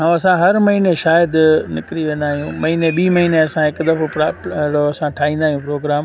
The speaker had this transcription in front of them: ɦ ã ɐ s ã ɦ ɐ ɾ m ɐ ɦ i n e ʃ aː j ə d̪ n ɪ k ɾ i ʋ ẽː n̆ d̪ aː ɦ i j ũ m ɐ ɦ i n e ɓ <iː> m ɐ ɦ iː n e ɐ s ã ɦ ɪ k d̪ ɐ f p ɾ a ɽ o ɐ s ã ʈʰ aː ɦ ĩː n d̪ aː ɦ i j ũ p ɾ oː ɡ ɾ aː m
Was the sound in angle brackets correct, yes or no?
yes